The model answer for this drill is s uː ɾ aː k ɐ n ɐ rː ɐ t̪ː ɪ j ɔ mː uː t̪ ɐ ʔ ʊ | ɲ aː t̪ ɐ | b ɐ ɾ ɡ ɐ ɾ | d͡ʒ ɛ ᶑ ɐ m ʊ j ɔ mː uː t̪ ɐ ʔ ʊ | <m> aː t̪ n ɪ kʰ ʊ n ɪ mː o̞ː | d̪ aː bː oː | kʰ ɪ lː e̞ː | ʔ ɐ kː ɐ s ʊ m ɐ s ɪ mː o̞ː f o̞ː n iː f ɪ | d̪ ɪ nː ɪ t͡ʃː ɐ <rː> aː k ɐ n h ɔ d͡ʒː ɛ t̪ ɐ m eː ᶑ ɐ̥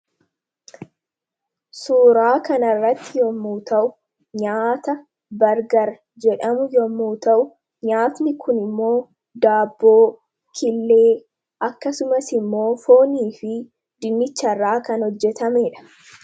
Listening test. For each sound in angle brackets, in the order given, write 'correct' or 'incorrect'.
incorrect: ɲ, correct

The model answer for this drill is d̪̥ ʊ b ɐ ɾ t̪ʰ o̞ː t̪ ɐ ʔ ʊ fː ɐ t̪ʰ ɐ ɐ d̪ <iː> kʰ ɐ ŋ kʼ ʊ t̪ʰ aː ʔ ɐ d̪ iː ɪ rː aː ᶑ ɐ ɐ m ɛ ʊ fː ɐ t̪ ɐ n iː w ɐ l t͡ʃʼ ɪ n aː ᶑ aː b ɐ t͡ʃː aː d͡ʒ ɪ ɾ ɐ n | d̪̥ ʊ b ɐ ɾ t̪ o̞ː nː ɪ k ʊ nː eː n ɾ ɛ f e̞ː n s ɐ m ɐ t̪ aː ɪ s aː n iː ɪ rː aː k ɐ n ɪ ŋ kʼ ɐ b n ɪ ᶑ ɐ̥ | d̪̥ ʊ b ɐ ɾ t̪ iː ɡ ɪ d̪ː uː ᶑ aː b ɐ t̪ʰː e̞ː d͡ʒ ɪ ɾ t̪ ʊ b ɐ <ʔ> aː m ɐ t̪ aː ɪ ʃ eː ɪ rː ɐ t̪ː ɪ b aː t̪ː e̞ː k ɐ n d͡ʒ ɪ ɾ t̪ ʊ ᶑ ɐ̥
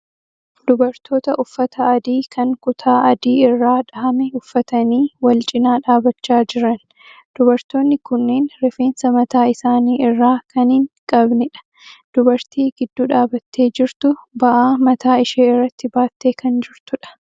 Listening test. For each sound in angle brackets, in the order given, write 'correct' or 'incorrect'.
correct, correct

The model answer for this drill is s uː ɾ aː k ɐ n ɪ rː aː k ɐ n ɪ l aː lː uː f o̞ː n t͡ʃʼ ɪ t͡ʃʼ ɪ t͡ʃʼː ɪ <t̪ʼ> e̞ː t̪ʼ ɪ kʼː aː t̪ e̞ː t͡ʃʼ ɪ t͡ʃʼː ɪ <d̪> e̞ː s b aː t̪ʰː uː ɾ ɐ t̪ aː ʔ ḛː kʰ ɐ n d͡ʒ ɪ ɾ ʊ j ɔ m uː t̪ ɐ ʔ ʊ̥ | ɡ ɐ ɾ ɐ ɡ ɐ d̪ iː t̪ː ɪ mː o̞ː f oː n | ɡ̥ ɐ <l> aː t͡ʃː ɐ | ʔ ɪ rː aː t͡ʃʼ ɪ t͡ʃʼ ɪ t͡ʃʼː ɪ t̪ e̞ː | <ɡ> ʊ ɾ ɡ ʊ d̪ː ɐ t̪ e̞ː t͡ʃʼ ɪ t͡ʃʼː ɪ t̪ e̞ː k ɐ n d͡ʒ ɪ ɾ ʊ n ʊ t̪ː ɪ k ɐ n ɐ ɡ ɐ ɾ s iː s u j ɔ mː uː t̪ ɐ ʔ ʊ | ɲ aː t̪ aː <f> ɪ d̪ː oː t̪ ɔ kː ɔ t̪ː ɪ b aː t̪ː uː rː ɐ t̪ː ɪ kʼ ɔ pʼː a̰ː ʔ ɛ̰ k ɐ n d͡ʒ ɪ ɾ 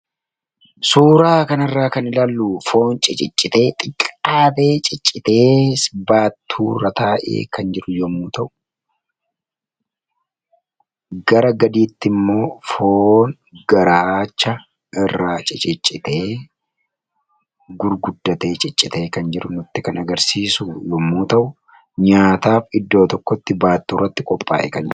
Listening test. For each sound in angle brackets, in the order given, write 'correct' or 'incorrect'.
incorrect: t̪, incorrect: t̪, incorrect: ɾ, correct, correct

